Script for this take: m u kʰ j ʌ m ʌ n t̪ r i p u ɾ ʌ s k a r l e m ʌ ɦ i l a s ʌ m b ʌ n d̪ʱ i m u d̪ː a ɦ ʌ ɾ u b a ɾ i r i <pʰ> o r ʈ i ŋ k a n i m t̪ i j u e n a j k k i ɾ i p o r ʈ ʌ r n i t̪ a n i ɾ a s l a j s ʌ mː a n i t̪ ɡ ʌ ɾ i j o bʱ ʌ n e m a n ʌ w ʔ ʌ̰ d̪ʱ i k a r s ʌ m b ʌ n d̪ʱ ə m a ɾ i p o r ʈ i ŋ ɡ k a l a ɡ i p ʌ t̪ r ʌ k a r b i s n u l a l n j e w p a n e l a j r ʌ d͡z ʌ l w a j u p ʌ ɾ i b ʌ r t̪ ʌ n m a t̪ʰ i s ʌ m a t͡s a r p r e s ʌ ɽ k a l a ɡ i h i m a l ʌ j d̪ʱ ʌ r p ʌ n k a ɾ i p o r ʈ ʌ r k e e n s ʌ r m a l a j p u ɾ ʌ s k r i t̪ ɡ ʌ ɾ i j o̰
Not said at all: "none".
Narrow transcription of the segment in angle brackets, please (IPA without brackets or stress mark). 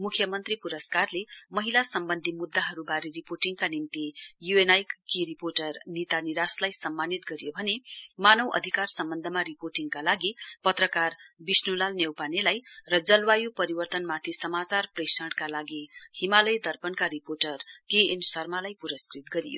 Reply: p